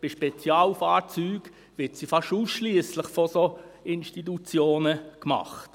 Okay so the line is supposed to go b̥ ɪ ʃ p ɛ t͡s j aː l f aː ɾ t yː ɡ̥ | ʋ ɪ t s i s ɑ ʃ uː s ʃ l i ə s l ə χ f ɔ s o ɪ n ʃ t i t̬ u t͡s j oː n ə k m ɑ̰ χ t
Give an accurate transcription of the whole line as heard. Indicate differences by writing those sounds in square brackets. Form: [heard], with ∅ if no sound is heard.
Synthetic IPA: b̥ ɪ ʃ p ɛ t͡s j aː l f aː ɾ [t͡s] yː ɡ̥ | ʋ ɪ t s i [f] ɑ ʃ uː s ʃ l i ə s l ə χ f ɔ s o ɪ n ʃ t i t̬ u t͡s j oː n ə k m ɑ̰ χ t